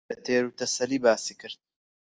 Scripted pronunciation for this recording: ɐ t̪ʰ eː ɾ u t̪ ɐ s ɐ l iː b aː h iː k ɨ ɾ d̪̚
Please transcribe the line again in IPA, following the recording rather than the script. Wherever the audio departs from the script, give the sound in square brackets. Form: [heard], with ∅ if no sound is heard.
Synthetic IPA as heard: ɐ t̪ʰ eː ɾ u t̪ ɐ s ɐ l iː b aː [s] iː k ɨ ɾ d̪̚